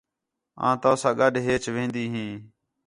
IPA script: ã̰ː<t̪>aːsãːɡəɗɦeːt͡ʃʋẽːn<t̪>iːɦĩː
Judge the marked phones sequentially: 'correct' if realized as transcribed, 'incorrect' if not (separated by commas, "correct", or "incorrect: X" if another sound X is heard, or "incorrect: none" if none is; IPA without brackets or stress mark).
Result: correct, incorrect: d̪